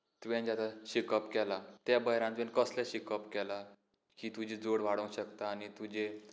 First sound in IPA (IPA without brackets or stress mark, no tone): t̪